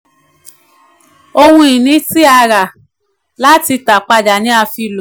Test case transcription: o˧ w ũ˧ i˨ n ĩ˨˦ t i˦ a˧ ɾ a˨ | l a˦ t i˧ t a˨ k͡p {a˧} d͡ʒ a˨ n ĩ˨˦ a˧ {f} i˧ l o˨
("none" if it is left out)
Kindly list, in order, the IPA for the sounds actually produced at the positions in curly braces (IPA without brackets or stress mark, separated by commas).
a˧, f